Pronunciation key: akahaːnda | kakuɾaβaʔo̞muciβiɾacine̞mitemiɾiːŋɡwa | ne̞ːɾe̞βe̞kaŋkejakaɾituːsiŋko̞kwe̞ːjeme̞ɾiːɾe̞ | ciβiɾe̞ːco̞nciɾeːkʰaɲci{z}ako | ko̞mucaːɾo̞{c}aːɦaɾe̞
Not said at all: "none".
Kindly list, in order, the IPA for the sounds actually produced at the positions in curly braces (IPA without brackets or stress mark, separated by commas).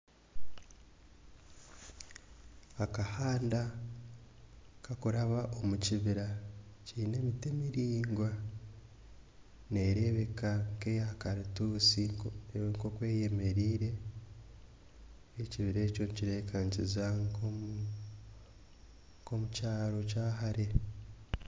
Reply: z, c